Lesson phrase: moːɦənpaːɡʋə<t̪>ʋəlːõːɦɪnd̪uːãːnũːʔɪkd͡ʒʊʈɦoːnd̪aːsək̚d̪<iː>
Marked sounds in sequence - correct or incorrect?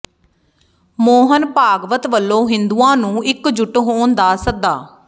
correct, incorrect

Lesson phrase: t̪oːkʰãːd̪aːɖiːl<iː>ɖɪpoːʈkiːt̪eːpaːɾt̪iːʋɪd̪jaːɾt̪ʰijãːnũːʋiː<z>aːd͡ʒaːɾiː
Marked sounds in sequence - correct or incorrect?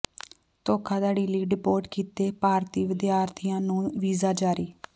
correct, correct

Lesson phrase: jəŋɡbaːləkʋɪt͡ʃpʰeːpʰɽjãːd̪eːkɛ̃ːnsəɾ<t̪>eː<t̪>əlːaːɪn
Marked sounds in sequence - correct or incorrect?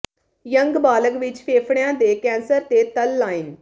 correct, correct

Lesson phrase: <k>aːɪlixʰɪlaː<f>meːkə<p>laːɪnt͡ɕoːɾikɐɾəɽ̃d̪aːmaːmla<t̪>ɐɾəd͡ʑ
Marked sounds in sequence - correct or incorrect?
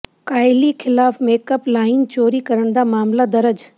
correct, correct, correct, incorrect

